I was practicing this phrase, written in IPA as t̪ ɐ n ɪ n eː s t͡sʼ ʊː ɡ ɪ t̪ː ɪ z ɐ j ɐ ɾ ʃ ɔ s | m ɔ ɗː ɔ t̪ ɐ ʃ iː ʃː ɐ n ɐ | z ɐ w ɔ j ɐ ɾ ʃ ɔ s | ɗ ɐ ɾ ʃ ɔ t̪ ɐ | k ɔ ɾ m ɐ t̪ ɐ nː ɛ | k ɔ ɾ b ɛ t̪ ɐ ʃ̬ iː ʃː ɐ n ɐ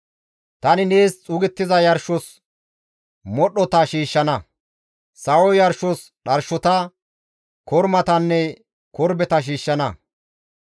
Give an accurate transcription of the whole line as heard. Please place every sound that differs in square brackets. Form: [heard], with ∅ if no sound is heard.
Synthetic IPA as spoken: t̪ ɐ n ɪ n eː s t͡sʼ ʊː ɡ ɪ t̪ː ɪ z ɐ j ɐ ɾ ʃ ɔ s | m ɔ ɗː ɔ t̪ ɐ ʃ iː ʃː ɐ n ɐ | [s] ɐ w ɔ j ɐ ɾ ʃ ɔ s | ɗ ɐ ɾ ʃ ɔ t̪ ɐ | k ɔ ɾ m ɐ t̪ ɐ nː ɛ | k ɔ ɾ b ɛ t̪ ɐ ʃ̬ iː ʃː ɐ n ɐ